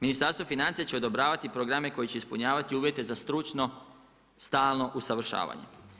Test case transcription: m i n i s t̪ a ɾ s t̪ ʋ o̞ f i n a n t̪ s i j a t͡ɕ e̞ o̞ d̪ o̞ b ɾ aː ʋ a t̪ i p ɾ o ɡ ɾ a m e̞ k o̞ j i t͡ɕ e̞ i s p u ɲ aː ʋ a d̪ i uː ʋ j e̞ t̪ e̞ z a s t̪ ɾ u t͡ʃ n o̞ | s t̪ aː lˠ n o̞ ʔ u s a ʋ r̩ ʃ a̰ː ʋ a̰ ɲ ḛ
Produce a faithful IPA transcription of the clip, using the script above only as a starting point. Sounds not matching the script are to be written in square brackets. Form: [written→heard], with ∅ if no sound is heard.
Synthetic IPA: m i n i s t̪ a ɾ s t̪ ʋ o̞ f i n a n t̪ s i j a t͡ɕ e̞ o̞ d̪ o̞ b ɾ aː ʋ a t̪ i p ɾ o ɡ ɾ a m e̞ k o̞ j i t͡ɕ e̞ i s p u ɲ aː ʋ a [d̪→t̪] i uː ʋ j e̞ t̪ e̞ z a s t̪ ɾ u t͡ʃ n o̞ | s t̪ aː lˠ n o̞ ʔ u s a ʋ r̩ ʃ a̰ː ʋ a̰ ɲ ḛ